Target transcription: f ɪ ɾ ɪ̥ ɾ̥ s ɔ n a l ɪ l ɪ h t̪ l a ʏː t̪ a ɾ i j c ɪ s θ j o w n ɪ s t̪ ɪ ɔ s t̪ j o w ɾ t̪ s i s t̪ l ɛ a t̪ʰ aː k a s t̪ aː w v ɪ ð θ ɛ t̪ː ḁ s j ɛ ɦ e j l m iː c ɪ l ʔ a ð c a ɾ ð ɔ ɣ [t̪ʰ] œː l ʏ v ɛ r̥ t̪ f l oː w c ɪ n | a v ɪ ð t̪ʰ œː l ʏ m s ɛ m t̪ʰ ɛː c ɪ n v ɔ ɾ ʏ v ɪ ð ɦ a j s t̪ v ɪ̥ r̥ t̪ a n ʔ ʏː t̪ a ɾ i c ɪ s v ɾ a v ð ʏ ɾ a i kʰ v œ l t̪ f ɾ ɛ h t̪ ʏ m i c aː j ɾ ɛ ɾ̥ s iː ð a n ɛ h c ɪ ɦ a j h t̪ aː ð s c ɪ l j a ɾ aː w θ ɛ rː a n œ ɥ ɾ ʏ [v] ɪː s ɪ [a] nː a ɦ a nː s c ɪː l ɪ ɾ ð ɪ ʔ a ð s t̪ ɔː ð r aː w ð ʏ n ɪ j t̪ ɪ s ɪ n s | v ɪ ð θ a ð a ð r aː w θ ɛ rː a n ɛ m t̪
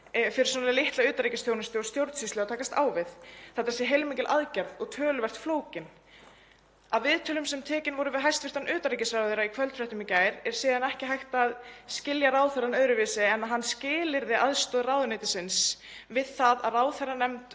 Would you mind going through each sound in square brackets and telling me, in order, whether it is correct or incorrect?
correct, correct, incorrect

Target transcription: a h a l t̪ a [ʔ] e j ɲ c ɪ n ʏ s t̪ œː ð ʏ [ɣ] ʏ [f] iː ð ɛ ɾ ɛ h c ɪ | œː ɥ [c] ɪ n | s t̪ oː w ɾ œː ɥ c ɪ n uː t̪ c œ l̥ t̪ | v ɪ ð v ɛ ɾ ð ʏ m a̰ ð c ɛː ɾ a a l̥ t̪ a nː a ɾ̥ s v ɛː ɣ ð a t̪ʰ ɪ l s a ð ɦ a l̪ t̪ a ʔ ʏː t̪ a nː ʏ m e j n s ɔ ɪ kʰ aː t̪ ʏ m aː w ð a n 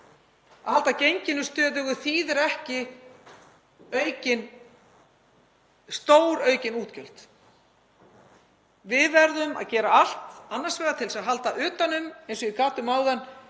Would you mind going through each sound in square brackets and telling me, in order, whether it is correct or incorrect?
incorrect, correct, incorrect, correct

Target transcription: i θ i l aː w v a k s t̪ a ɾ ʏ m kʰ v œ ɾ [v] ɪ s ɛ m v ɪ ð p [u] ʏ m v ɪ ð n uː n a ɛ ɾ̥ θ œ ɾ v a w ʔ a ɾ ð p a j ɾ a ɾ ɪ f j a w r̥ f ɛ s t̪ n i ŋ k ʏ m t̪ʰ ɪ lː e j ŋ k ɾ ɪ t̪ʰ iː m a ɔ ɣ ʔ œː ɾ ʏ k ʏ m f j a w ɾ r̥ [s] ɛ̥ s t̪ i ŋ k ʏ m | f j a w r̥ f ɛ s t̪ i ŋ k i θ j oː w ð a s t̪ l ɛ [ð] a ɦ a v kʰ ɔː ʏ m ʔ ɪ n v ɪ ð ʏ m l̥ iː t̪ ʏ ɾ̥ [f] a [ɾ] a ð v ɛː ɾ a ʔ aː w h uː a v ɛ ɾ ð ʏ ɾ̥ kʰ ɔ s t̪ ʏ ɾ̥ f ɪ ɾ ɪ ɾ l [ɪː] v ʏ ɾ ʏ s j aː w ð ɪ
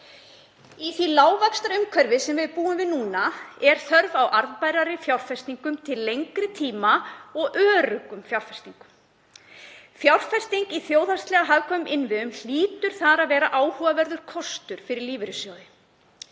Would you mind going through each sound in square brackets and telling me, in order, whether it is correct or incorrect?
correct, incorrect, incorrect, incorrect, incorrect, correct, incorrect

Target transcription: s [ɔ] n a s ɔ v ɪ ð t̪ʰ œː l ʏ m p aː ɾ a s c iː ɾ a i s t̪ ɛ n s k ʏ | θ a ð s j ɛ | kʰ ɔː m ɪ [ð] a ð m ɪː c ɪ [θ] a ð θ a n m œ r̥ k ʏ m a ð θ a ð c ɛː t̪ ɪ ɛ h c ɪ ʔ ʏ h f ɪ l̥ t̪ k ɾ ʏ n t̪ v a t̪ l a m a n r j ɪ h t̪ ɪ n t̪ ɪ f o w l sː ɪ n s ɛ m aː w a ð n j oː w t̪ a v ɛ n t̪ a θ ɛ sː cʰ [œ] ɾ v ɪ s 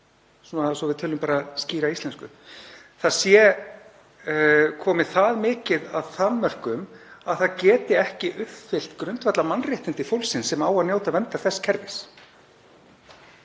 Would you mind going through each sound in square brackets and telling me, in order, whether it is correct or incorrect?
incorrect, incorrect, incorrect, incorrect

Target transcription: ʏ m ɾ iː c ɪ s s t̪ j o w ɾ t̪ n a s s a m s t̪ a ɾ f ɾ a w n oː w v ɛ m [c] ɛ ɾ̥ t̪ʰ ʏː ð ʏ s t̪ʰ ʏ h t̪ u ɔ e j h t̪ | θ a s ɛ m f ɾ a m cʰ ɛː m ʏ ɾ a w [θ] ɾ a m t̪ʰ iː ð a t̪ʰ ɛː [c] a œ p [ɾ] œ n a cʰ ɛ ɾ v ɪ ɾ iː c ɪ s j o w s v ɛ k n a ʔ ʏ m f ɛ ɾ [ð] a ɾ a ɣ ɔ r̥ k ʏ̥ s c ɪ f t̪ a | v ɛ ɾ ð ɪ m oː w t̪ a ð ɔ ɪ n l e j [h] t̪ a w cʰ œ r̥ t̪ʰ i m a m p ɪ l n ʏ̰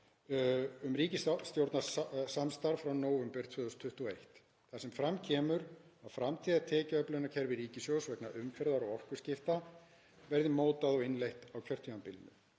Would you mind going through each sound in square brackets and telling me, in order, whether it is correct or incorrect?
incorrect, incorrect, correct, incorrect, correct, correct

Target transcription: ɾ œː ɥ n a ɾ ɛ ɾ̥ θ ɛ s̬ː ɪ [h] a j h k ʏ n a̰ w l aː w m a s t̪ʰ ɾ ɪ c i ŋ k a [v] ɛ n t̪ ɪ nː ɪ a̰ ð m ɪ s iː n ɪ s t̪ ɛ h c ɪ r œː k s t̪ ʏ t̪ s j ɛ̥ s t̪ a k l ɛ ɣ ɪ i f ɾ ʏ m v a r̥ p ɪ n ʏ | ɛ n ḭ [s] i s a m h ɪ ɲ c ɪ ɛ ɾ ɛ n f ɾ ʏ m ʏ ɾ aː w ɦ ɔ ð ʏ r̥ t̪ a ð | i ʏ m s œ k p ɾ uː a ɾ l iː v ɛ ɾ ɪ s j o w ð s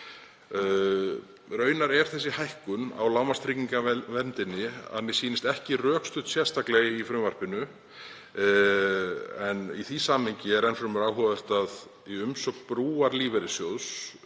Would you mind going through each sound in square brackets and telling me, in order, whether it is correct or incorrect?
correct, correct, incorrect

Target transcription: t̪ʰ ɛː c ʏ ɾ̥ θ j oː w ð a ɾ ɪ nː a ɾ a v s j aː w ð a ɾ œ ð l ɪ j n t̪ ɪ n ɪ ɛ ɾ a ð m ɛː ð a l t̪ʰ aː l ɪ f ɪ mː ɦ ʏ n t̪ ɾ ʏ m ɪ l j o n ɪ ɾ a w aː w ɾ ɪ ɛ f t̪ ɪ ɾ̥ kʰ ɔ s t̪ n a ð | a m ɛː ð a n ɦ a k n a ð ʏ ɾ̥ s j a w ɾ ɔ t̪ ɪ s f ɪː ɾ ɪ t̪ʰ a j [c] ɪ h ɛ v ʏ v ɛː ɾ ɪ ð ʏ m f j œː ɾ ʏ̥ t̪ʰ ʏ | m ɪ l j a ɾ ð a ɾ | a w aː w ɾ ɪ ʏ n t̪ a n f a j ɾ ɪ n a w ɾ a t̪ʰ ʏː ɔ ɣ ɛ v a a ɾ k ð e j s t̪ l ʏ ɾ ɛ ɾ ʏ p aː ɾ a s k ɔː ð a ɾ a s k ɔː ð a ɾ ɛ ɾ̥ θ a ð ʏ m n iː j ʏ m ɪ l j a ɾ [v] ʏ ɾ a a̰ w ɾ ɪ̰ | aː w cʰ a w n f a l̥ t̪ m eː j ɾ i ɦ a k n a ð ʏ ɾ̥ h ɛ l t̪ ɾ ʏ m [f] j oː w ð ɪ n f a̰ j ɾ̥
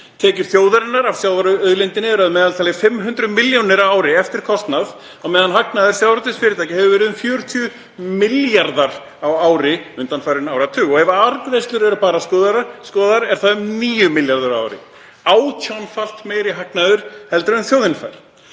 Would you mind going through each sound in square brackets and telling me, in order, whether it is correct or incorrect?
correct, incorrect, incorrect

